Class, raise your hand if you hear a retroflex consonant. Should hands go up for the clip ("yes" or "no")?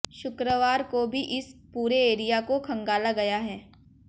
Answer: no